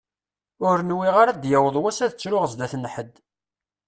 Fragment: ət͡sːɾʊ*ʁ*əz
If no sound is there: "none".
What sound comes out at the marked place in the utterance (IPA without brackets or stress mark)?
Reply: ʁ